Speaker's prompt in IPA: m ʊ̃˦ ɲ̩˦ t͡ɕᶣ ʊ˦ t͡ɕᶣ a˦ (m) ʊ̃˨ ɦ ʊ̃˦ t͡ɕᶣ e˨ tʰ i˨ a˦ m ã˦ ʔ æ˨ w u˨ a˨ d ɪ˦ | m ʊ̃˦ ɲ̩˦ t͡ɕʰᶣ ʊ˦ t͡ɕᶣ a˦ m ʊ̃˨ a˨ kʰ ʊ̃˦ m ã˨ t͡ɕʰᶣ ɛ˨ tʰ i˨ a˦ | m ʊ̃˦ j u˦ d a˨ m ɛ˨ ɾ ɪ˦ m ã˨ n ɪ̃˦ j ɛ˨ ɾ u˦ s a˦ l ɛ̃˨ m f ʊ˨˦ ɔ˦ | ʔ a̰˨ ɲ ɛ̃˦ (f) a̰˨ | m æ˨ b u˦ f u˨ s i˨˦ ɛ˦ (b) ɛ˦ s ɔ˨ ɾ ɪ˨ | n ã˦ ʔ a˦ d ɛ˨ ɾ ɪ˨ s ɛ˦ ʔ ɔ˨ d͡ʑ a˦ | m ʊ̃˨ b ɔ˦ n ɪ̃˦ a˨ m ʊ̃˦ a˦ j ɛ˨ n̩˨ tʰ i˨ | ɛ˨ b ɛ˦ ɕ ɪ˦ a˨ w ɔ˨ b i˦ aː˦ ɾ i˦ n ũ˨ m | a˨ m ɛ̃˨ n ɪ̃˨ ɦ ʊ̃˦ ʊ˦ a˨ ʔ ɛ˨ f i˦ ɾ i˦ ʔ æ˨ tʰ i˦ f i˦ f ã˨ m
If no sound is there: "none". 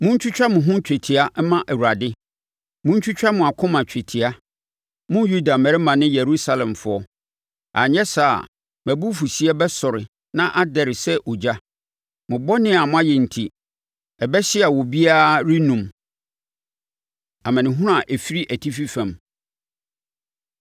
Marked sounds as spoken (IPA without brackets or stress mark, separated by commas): m, s, b